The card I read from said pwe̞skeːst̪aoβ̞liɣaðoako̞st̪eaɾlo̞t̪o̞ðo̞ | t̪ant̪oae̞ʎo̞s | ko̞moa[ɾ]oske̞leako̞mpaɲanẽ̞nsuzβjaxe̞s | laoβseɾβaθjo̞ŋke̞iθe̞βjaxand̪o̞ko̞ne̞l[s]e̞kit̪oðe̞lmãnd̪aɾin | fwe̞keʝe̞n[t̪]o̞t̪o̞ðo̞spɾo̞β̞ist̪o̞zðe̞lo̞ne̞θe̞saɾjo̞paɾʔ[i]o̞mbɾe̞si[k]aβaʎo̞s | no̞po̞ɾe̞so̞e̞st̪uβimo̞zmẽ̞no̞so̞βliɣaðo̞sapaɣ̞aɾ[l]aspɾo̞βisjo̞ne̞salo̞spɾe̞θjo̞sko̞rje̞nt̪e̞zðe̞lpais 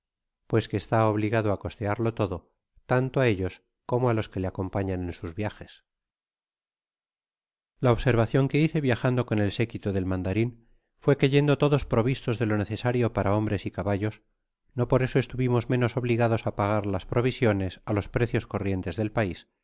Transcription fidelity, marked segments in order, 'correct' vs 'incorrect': incorrect: l, correct, incorrect: d̪, incorrect: a, correct, correct

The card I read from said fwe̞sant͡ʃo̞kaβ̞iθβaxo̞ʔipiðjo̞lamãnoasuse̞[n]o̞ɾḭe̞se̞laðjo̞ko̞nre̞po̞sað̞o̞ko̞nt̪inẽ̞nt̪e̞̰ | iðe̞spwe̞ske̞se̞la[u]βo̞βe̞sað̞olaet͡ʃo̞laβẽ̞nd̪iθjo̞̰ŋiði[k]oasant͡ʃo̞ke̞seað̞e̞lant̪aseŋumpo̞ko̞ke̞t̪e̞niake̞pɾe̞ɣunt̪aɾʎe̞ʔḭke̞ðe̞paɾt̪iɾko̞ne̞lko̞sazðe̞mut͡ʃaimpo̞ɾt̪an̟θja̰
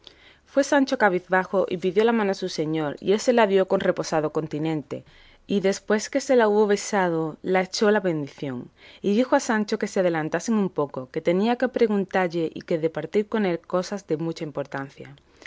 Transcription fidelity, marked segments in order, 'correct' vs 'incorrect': incorrect: ɲ, correct, incorrect: x

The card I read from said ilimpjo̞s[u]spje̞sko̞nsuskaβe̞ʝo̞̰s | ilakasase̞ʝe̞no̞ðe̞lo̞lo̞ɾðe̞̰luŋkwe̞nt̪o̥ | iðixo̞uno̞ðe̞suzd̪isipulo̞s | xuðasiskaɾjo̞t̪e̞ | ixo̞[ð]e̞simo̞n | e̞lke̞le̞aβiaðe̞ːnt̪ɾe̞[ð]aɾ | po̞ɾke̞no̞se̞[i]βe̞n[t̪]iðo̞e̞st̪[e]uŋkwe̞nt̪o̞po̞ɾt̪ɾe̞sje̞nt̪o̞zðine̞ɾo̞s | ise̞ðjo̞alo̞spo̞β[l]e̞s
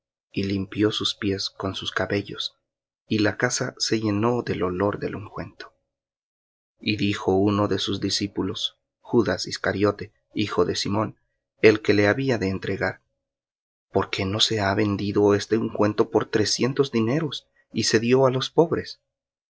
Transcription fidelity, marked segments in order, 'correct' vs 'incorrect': correct, correct, incorrect: ɣ, incorrect: a, incorrect: d̪, correct, incorrect: ɾ

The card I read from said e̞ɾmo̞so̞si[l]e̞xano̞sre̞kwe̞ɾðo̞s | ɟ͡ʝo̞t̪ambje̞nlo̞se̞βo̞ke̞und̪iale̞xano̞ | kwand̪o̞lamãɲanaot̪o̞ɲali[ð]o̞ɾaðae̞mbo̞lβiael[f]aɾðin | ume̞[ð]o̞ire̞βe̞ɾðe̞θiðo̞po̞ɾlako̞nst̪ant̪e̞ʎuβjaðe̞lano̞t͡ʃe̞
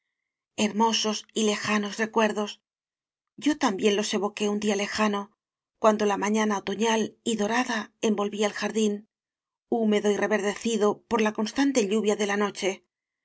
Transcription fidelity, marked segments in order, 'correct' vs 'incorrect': correct, correct, incorrect: x, correct

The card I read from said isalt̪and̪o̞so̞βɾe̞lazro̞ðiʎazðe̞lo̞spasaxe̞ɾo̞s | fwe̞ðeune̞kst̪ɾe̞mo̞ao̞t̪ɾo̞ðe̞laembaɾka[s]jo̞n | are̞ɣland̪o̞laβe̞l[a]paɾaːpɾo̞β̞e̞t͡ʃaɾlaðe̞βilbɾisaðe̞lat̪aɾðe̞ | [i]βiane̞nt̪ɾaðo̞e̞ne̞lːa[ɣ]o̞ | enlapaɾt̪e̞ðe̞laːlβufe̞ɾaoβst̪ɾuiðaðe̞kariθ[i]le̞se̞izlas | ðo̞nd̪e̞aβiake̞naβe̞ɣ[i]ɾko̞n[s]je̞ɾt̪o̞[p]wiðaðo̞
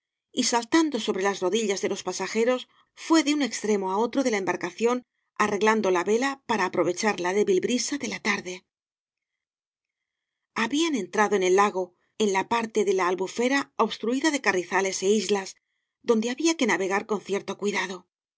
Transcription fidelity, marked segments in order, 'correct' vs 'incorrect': incorrect: θ, correct, incorrect: a, correct, incorrect: a, incorrect: a, incorrect: θ, incorrect: k

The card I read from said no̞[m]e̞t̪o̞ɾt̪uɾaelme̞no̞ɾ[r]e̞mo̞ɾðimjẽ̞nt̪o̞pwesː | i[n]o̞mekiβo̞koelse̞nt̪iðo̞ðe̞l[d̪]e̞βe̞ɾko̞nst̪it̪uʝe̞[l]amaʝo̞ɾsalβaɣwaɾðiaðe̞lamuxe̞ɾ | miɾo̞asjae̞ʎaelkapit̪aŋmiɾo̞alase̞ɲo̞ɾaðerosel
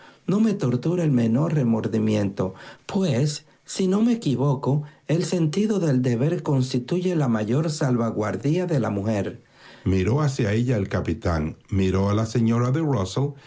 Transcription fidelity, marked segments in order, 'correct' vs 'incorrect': correct, correct, correct, correct, correct

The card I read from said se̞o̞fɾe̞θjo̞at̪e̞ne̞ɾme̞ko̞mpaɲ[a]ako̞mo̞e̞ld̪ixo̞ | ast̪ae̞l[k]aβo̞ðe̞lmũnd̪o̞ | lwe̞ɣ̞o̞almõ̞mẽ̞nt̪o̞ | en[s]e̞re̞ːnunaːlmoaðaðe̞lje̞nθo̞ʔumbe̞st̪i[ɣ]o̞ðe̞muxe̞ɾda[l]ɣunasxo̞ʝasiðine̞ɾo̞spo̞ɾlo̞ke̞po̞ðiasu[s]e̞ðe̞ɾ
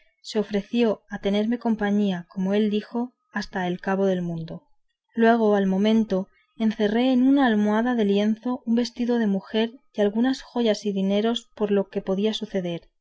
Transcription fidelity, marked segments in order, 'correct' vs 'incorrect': incorrect: i, correct, incorrect: θ, incorrect: ð, correct, incorrect: θ

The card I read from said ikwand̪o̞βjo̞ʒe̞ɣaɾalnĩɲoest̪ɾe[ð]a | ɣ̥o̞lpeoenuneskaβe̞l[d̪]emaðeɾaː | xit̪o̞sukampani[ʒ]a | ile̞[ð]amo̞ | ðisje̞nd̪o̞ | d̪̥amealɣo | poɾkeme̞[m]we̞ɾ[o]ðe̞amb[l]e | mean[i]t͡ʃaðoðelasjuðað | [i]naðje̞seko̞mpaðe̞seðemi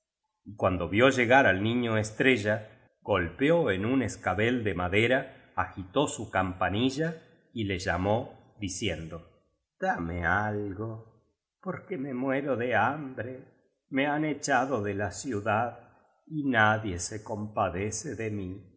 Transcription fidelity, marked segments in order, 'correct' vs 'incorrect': incorrect: ʒ, correct, correct, incorrect: ʒ, correct, correct, incorrect: ɾ, incorrect: e, correct

